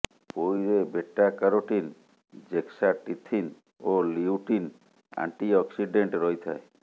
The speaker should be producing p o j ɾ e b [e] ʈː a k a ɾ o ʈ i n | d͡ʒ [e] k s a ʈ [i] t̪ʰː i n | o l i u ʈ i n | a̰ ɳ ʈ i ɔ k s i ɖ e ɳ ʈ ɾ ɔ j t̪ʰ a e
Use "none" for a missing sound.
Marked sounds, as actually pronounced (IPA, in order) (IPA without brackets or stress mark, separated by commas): e, e, i